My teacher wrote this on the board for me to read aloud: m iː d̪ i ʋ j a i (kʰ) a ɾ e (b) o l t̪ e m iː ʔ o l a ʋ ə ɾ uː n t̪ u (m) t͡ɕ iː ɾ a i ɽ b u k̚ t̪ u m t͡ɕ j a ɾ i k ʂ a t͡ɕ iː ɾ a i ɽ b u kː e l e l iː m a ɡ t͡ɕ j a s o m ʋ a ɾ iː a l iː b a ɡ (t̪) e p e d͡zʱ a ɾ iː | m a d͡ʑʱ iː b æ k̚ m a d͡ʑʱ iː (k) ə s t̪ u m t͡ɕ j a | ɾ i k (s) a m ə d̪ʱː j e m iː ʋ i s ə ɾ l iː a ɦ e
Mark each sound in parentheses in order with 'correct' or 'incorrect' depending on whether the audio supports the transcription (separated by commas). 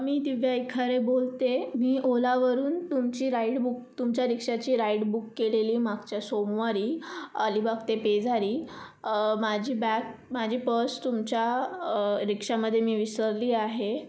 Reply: correct, correct, correct, correct, incorrect, incorrect